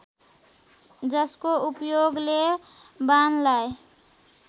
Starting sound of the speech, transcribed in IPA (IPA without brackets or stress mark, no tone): d͡ʒ